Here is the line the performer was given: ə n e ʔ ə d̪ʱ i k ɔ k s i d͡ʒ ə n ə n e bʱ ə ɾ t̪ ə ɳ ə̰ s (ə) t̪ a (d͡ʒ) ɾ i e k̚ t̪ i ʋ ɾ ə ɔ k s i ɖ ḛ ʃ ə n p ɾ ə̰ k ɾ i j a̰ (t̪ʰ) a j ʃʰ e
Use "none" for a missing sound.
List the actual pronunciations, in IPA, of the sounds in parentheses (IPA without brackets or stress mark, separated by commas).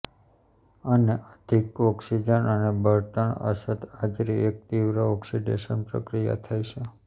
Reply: ə, d͡ʒ, t̪ʰ